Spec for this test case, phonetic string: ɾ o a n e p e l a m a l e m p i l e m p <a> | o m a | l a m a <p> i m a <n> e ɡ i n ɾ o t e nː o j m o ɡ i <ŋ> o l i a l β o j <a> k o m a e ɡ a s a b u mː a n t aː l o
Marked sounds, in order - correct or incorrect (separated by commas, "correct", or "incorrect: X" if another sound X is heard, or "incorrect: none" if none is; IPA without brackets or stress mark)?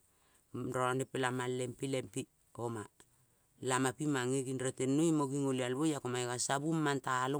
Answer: incorrect: i, correct, incorrect: ŋ, correct, correct